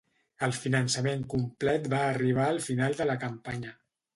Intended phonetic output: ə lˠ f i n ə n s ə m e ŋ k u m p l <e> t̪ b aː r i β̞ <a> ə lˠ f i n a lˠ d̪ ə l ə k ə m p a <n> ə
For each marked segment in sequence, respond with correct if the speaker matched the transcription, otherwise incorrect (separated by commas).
incorrect, correct, incorrect